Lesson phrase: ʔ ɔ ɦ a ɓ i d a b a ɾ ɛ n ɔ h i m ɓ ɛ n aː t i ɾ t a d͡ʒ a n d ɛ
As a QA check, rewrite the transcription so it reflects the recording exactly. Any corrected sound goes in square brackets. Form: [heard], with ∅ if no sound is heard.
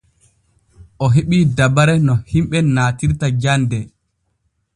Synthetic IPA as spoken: ʔ ɔ ɦ [e] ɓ i d a b a ɾ ɛ n ɔ h i m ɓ ɛ n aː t i ɾ t a d͡ʒ a n d ɛ